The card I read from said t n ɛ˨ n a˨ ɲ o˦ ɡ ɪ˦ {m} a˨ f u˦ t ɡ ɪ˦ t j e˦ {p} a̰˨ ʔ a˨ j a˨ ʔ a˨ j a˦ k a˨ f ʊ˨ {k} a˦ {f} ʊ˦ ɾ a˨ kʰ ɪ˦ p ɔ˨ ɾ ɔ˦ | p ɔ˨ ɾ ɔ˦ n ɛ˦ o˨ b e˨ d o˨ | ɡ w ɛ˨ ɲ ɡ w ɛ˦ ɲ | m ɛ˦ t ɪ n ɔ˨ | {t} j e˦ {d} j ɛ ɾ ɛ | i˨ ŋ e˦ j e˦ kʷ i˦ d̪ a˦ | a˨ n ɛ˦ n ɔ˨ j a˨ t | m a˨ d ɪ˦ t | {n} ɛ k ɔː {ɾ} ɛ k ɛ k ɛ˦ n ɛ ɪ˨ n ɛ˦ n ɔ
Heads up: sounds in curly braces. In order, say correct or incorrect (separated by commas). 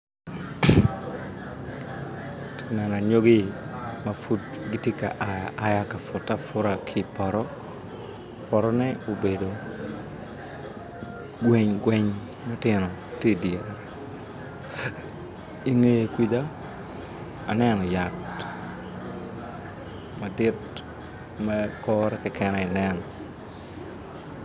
correct, incorrect, incorrect, correct, correct, correct, incorrect, correct